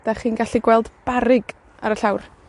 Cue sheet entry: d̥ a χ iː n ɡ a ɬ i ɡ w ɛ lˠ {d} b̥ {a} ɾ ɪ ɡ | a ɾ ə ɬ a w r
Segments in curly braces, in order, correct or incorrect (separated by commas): correct, correct